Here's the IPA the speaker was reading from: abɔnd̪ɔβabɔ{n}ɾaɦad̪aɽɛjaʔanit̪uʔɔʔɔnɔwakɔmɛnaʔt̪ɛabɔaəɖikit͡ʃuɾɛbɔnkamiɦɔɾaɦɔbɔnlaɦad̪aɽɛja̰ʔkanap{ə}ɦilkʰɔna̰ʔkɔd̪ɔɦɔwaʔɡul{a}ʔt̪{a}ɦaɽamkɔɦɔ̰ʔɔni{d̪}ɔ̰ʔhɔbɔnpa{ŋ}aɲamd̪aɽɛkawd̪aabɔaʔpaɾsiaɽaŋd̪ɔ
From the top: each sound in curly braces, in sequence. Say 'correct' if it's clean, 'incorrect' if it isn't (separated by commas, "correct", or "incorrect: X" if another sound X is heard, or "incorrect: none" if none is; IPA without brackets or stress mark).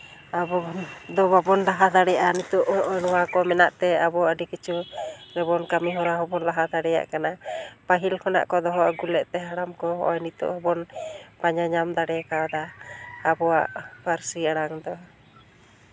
correct, incorrect: a, incorrect: ɛ, incorrect: ɛ, incorrect: t̪, incorrect: ɲ